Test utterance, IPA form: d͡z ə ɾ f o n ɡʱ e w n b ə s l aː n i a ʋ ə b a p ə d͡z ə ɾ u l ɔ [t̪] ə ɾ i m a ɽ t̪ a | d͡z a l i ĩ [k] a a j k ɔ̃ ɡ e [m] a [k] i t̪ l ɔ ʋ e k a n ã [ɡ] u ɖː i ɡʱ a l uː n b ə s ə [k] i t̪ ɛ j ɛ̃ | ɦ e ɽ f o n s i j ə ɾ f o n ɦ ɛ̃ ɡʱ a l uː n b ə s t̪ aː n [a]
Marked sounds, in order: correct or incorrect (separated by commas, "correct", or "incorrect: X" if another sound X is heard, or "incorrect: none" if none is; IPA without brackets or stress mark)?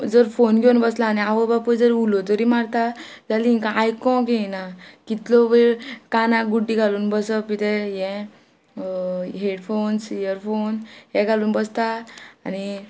correct, correct, incorrect: n, correct, correct, incorrect: p, incorrect: i